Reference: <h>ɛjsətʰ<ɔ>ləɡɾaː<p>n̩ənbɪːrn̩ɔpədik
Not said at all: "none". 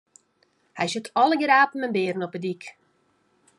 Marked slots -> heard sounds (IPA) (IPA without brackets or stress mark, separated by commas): h, ɔ, p